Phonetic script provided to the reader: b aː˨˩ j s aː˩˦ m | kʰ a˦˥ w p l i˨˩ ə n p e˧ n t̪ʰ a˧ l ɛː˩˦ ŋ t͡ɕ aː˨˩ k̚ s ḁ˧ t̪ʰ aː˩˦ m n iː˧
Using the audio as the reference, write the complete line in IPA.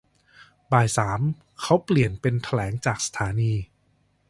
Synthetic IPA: b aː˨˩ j s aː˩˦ m | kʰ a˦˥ w p l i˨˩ ə n p e˧ n t̪ʰ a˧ l ɛː˩˦ ŋ t͡ɕ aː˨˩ k̚ s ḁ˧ t̪ʰ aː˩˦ n iː˧